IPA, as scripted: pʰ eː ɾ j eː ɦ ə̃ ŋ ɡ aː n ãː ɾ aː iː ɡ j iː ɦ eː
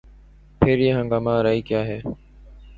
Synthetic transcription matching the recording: pʰ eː ɾ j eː ɦ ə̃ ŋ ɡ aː m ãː ɾ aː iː k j aː ɦ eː